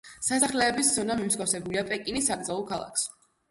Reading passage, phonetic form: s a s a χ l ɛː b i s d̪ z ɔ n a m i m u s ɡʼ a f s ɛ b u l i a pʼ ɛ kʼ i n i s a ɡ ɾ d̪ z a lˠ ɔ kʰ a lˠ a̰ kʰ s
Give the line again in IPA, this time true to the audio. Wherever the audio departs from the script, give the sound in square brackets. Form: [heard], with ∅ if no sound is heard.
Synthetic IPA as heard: s a s a χ l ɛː b i s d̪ z ɔ n a m i m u s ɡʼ a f s ɛ b u l i a pʼ ɛ kʼ i n i s a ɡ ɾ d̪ z a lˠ ɔ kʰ a lˠ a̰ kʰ s